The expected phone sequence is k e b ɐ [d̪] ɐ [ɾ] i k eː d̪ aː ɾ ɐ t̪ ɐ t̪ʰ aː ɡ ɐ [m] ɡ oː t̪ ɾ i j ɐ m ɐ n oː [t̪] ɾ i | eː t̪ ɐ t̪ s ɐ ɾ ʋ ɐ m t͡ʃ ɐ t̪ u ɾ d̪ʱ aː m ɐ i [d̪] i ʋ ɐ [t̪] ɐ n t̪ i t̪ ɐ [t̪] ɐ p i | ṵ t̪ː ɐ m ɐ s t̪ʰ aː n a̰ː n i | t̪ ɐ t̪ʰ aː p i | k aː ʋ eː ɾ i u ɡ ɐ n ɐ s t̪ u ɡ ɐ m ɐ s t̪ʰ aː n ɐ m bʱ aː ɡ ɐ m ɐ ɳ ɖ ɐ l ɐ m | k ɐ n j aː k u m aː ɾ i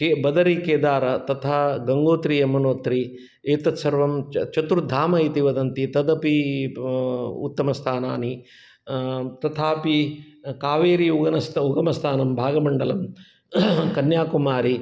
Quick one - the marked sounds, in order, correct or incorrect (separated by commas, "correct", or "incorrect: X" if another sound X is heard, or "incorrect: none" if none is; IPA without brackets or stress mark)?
correct, correct, incorrect: ŋ, correct, incorrect: t̪, incorrect: d̪, incorrect: d̪